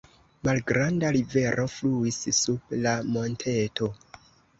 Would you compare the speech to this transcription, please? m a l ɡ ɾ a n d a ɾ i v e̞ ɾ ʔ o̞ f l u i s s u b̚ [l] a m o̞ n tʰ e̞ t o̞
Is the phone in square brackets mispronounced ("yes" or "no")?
no